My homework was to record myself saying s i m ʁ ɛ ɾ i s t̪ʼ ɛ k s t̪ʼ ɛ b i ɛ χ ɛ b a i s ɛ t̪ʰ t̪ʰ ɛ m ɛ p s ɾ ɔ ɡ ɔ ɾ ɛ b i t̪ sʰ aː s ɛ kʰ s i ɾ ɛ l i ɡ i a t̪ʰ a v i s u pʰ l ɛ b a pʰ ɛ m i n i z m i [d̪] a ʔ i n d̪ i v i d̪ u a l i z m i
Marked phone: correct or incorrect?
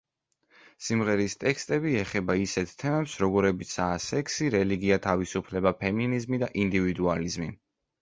correct